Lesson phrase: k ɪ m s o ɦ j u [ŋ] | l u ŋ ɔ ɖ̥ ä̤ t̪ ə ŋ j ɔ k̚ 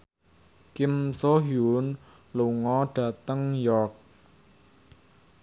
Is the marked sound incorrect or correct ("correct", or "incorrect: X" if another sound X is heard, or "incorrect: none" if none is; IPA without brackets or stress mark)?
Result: incorrect: n